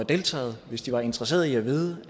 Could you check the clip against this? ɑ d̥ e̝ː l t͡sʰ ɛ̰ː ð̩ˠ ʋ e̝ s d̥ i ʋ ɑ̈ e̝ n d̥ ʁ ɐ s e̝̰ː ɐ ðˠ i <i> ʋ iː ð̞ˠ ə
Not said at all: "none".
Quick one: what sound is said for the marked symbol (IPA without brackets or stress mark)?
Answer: æ